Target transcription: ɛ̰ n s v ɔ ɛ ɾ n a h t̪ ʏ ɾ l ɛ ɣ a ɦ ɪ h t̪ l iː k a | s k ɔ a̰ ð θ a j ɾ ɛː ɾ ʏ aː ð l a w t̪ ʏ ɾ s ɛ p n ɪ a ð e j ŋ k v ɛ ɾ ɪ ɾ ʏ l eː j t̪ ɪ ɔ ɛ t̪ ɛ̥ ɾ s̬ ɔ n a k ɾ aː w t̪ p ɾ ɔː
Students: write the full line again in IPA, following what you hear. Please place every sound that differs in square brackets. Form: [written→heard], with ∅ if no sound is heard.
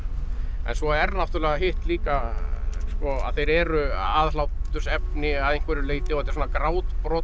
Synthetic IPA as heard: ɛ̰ n s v ɔ ɛ ɾ n a [h→f] t̪ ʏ ɾ l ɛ ɣ a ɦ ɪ h t̪ l iː k a | s k ɔ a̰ ð θ [a→e] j ɾ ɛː ɾ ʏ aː ð l a w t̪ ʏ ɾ s ɛ p n ɪ a ð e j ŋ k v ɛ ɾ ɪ ɾ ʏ l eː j t̪ ɪ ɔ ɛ t̪ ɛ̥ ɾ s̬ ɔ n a k ɾ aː w t̪ p ɾ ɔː